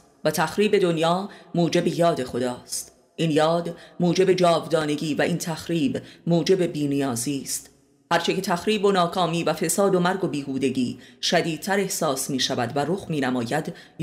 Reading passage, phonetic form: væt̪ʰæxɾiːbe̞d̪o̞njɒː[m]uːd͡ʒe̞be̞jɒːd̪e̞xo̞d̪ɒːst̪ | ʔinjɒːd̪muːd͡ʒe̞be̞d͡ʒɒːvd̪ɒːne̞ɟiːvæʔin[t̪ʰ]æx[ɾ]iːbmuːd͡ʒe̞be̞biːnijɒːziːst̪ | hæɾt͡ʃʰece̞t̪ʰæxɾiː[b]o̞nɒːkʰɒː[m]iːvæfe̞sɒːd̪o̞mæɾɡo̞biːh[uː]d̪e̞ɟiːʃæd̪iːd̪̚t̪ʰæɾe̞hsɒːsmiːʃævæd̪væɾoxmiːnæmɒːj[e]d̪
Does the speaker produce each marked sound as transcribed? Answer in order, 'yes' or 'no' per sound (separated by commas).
yes, yes, yes, yes, yes, yes, no